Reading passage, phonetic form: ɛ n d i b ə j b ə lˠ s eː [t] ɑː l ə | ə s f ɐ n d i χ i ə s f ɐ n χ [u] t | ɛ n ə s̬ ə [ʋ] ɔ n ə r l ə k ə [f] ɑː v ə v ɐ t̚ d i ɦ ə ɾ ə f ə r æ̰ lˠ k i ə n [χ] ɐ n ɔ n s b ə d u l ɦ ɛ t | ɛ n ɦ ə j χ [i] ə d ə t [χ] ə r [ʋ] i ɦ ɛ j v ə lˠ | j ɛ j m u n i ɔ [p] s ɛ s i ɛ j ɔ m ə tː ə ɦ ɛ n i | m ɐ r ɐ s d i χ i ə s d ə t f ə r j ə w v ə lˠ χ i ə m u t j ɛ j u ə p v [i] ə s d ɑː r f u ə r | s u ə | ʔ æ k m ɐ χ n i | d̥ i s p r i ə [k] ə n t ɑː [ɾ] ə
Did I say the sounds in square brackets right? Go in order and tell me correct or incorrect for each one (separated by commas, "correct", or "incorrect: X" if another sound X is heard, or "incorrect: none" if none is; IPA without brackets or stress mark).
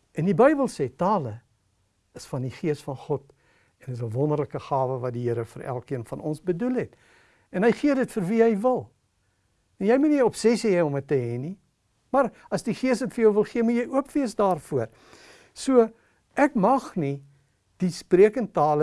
correct, incorrect: ɔ, incorrect: v, incorrect: χ, incorrect: f, correct, incorrect: f, incorrect: v, correct, correct, correct, incorrect: l